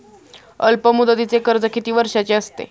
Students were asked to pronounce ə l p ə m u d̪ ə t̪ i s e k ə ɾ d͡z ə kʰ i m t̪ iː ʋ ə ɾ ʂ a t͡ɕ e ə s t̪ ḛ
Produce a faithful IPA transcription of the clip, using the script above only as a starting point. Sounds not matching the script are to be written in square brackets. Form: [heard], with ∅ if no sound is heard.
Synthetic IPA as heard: ə l p ə m u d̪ ə t̪ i [t͡s] e k ə ɾ d͡z ə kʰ i [∅] t̪ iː ʋ ə ɾ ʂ a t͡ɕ e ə s t̪ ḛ